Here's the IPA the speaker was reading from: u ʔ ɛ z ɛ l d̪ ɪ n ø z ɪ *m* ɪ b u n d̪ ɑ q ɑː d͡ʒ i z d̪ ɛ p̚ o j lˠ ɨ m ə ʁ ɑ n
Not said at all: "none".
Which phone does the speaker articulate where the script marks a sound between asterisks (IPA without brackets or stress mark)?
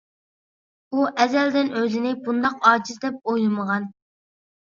n